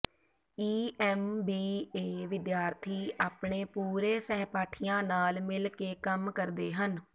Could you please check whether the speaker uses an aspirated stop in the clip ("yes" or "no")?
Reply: yes